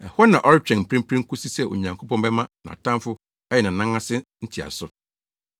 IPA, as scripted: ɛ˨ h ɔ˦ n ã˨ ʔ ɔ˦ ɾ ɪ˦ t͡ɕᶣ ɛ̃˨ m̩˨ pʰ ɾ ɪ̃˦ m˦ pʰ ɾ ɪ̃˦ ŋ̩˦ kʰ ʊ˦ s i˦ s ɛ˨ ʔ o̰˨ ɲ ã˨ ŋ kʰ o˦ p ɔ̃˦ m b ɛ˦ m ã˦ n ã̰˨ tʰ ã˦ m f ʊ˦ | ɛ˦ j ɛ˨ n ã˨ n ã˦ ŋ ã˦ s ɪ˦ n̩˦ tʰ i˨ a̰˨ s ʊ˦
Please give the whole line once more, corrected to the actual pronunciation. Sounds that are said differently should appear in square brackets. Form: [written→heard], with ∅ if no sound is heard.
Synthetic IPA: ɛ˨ h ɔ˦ n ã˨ ʔ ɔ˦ ɾ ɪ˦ t͡ɕᶣ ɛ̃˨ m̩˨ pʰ ɾ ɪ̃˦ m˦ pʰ ɾ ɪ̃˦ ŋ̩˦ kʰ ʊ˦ s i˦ s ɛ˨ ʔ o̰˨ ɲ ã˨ ŋ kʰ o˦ p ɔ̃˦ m b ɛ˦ m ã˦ n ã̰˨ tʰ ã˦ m f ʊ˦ | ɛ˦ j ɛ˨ n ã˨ n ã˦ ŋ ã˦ s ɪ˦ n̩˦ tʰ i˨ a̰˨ s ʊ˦